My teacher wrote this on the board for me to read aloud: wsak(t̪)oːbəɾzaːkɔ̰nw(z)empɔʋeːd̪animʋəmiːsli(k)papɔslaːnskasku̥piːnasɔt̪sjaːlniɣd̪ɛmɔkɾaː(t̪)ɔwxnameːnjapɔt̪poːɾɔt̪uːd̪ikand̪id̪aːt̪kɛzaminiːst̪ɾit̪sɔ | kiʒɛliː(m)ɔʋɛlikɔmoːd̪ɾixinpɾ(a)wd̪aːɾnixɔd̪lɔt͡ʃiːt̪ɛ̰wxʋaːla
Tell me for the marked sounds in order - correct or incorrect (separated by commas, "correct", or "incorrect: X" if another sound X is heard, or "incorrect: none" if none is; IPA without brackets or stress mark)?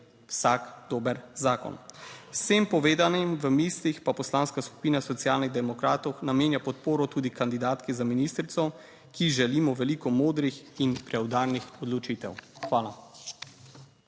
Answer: incorrect: d̪, incorrect: s, incorrect: x, correct, correct, incorrect: ɛ